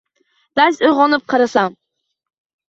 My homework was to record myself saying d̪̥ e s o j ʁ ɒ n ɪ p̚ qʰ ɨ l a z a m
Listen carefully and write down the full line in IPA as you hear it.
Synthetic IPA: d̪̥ a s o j ʁ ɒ n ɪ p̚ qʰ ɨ ɾ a s a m